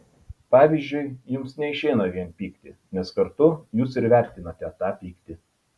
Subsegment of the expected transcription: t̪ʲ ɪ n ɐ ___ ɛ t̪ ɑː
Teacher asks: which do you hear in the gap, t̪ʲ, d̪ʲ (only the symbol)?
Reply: t̪ʲ